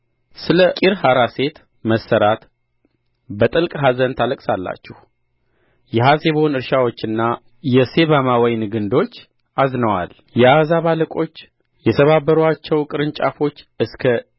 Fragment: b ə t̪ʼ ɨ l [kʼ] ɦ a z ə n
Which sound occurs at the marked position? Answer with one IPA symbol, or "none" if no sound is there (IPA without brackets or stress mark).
kʼ